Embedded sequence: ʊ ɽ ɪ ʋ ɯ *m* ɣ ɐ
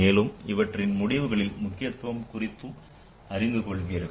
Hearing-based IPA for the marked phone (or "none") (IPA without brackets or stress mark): none